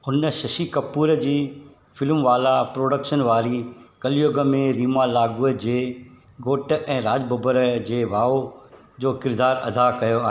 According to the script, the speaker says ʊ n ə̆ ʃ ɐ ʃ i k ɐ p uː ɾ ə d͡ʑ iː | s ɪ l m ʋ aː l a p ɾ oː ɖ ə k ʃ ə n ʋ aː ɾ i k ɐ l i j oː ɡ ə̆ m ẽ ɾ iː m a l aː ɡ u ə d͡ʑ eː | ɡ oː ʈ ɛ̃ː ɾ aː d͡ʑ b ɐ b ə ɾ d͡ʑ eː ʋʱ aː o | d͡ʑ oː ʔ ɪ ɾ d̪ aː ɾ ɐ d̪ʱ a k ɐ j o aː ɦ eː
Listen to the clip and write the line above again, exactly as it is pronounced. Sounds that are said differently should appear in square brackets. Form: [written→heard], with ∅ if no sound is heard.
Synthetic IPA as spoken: ʊ n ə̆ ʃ ɐ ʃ i k ɐ p uː ɾ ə d͡ʑ iː | [s→f] ɪ l m ʋ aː l a p ɾ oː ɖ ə k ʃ ə n ʋ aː ɾ i k ɐ l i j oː ɡ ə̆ m ẽ ɾ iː m a l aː ɡ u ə d͡ʑ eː | ɡ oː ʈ ɛ̃ː ɾ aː d͡ʑ b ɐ b ə ɾ d͡ʑ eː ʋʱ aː o | d͡ʑ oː [ʔ→k] ɪ ɾ d̪ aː ɾ ɐ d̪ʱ a k ɐ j o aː ɦ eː